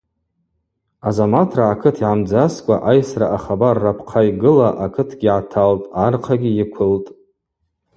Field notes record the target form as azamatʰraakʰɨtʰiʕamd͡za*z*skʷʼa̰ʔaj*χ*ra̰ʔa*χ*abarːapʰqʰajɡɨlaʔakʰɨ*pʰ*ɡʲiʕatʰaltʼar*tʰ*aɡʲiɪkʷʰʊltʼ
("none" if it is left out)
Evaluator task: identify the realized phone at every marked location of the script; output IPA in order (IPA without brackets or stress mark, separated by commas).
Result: none, s, χ, tʰ, qʰ